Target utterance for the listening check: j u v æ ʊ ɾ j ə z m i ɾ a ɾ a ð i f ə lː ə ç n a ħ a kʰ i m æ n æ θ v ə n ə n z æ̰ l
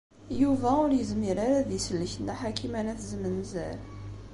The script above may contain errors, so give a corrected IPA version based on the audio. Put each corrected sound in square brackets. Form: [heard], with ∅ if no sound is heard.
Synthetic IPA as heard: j u v æ ʊ ɾ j ə z m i ɾ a ɾ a ð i [s] ə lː ə ç n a ħ a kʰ i m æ n æ θ [z] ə [m] ə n z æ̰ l